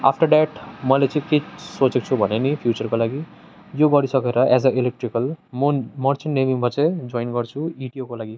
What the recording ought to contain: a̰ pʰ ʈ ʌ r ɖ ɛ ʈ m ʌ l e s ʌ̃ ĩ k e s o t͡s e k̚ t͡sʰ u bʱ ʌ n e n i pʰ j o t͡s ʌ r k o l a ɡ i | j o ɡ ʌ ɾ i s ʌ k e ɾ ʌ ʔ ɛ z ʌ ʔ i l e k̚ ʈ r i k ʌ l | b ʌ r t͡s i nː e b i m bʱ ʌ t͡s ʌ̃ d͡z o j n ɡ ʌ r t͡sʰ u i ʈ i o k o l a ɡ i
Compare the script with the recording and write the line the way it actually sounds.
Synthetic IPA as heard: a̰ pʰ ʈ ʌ r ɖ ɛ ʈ m ʌ l e t͡s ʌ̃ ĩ k e s o t͡s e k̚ t͡sʰ u bʱ ʌ n e n i pʰ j u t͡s ʌ r k o l a ɡ i | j o ɡ ʌ ɾ i s ʌ k e ɾ ʌ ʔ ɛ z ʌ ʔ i l e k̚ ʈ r i k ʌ l | m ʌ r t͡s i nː e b i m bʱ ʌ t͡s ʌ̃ d͡z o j n ɡ ʌ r t͡sʰ u i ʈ i o k o l a ɡ i